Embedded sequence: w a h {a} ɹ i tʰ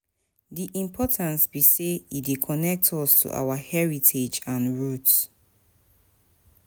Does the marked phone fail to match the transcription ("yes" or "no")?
yes